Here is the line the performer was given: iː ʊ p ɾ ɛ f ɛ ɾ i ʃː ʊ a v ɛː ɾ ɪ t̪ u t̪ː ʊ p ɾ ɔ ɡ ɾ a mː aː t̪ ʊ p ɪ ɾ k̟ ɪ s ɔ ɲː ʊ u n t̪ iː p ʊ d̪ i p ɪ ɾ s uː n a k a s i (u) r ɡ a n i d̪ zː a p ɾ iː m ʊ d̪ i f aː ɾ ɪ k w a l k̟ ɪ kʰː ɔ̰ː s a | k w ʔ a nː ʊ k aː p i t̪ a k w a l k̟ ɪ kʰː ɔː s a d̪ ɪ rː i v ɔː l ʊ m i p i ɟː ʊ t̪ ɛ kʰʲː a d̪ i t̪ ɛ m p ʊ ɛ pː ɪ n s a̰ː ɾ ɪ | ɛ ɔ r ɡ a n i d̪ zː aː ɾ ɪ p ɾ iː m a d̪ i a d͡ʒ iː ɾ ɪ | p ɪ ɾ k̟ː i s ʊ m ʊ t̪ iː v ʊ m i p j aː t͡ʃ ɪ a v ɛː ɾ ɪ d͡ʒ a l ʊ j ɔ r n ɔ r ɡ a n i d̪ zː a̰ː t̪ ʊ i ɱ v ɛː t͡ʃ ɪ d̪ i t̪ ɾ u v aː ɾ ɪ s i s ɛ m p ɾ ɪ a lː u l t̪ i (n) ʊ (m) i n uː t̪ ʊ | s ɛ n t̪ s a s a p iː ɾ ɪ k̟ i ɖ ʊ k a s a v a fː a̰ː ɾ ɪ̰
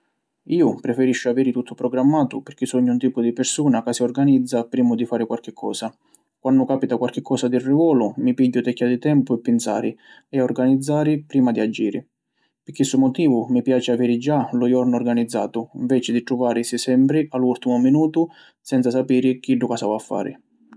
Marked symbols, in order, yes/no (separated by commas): no, no, yes